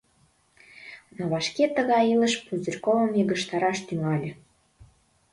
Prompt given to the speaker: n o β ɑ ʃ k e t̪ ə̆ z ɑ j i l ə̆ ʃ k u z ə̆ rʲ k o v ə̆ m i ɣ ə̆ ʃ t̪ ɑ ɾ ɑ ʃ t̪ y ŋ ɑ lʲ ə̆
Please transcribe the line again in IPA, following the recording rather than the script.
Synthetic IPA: n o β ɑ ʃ k e t̪ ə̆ ɣ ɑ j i l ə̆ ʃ p u z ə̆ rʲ k o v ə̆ m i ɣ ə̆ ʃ t̪ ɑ ɾ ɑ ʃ t̪ y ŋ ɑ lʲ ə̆